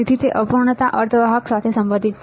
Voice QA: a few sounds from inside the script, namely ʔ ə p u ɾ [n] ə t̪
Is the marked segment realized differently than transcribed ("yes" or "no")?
yes